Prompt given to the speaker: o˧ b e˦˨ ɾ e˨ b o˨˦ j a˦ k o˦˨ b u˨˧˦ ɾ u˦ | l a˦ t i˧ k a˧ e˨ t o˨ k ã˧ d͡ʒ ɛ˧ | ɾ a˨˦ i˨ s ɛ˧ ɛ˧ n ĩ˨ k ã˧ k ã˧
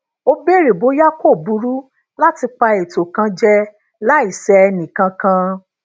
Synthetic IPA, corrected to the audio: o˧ b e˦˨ ɾ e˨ b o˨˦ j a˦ k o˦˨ b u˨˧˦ ɾ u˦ | l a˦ t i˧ k͡p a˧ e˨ t o˨ k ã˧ d͡ʒ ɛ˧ | l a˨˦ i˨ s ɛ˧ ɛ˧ n ĩ˨ k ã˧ k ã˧